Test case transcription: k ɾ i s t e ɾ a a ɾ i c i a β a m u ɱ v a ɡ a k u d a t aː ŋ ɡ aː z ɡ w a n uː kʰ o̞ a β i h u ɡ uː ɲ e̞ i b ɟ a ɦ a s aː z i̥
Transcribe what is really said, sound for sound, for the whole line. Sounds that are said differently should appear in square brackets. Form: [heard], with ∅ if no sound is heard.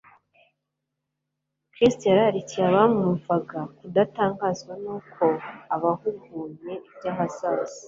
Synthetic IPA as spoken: k ɾ i s t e ɾ a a ɾ i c i a β a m u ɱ v a ɡ a k u d a t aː ŋ ɡ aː z ɡ w a n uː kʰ o̞ a β [a] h u ɡ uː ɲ e̞ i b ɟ a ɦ a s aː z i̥